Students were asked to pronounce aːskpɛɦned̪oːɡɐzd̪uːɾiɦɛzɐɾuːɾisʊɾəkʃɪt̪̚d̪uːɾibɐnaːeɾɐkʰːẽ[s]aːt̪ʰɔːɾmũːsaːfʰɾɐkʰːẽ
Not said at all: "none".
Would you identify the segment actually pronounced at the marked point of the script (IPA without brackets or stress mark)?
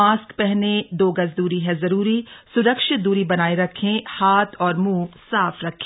h